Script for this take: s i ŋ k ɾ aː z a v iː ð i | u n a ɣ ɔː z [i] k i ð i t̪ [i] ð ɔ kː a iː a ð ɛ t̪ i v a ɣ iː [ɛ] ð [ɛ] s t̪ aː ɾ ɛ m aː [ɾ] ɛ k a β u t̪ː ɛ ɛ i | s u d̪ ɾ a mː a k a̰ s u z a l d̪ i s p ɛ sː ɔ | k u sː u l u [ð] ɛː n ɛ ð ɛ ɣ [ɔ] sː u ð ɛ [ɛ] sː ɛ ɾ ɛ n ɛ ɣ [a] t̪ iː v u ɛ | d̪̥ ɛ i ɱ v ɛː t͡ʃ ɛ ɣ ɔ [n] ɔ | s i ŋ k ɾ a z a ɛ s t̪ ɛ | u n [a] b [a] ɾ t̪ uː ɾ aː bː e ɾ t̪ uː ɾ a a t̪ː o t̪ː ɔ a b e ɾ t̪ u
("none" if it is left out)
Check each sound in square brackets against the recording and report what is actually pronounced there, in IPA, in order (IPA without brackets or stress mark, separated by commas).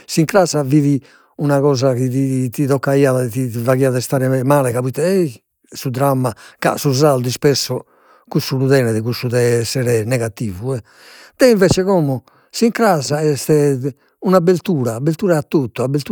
a, i, a, ɛ, l, ð, u, ɛ, a, m, a, e